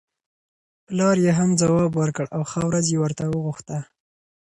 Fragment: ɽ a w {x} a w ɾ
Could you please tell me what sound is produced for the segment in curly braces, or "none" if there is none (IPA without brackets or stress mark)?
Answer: x